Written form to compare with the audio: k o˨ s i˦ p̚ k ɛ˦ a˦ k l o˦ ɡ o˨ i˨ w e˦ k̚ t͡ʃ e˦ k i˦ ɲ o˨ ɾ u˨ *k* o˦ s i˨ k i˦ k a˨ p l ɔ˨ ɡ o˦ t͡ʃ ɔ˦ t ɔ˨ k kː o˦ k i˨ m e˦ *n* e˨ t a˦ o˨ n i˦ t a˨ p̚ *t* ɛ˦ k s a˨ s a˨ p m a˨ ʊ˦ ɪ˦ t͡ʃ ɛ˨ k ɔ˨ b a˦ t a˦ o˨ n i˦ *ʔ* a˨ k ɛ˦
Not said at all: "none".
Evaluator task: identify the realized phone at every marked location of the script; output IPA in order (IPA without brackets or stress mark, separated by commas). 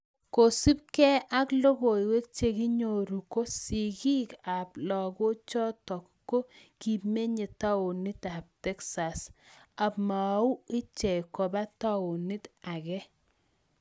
k, ɲ, t, t